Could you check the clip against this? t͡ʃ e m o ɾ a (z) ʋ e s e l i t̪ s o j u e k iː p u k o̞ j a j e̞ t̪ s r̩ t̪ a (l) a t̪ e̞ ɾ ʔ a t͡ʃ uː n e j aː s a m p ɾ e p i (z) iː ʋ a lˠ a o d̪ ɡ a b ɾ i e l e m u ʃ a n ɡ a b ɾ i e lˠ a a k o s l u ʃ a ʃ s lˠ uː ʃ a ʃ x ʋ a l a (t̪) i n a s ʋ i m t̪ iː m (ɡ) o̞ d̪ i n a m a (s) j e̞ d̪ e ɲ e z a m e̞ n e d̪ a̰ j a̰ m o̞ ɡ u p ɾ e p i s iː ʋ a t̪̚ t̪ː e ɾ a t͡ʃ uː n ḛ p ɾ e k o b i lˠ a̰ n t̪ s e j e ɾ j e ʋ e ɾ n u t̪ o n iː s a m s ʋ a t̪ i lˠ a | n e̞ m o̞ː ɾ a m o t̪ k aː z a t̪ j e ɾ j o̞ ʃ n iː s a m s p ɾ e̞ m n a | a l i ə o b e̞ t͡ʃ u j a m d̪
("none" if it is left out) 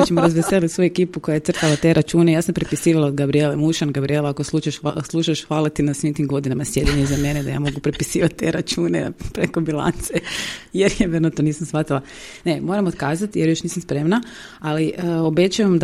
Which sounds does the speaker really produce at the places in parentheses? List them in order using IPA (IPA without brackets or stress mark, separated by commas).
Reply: z, l, s, t̪, ɡ, s